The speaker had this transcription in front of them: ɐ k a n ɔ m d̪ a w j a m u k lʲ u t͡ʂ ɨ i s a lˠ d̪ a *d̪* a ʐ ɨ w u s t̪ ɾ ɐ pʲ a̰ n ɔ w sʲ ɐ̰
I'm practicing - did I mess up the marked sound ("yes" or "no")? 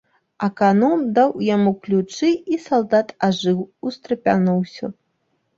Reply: yes